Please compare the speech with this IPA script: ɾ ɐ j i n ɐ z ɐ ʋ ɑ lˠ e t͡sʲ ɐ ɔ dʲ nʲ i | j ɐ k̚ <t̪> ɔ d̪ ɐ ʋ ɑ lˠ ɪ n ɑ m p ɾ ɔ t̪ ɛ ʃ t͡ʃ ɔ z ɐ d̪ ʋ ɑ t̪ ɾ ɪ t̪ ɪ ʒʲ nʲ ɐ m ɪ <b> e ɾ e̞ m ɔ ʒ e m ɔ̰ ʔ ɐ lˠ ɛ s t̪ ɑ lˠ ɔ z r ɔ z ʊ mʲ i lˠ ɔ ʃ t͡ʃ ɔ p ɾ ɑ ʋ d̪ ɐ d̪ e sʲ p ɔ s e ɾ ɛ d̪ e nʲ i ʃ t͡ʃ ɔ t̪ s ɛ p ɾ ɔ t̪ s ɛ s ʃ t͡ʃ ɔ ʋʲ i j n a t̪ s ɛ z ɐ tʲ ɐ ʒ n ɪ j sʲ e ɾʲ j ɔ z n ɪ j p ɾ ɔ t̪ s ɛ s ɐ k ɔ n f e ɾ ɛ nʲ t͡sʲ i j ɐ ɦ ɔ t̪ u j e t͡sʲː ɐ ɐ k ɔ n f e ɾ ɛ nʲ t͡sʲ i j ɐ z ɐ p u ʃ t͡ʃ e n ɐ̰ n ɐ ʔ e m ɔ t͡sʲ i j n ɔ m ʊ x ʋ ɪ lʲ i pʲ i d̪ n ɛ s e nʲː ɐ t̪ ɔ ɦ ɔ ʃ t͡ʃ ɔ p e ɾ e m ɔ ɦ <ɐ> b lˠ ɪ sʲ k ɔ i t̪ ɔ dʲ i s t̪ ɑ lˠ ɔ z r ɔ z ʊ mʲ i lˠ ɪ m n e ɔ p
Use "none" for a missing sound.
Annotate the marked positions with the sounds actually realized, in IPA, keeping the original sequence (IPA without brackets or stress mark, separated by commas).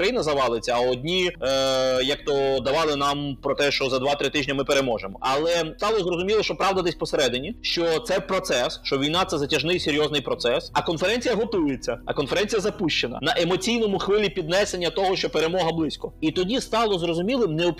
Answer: t̪, p, ɐ